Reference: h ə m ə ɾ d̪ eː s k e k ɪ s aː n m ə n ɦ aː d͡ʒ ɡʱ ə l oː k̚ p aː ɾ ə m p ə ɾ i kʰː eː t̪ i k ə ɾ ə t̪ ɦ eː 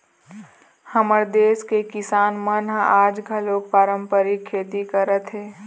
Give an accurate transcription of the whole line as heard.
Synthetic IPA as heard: h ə m ə ɾ d̪ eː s k e k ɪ s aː n m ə n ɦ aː d͡ʒ ɡʱ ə l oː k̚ p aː ɾ ə m p ə ɾ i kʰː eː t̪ i k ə ɾ ə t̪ ɦ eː